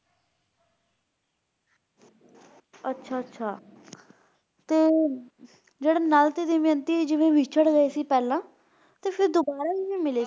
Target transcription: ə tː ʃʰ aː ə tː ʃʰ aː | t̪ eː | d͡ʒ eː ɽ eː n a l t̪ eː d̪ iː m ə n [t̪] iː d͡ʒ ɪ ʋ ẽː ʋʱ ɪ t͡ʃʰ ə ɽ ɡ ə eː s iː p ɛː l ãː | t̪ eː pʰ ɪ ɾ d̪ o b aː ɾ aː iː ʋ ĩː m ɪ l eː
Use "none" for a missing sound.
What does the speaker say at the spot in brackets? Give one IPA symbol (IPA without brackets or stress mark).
t̪